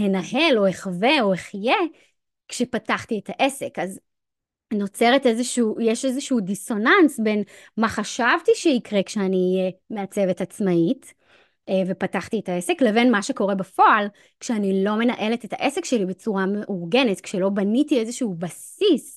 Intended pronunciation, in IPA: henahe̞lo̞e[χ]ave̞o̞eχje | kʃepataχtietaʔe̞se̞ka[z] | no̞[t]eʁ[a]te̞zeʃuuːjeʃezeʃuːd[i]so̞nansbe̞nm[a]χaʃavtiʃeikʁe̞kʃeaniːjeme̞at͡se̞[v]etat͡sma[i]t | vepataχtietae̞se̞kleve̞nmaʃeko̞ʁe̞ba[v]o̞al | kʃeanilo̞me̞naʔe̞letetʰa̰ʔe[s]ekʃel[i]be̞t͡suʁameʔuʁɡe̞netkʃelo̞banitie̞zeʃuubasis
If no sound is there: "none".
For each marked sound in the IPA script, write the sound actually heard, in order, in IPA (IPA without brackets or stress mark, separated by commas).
χ, z, t͡s, e, i, a, v, i, f, s, i